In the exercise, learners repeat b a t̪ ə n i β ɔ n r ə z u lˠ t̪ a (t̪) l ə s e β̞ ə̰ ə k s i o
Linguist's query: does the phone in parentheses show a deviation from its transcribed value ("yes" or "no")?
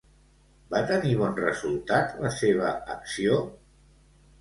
no